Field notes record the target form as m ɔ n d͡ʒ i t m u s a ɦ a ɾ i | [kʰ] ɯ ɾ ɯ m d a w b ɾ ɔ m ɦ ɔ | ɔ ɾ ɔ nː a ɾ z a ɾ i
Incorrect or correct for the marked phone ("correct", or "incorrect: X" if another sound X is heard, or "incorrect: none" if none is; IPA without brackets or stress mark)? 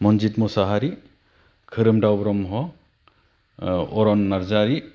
correct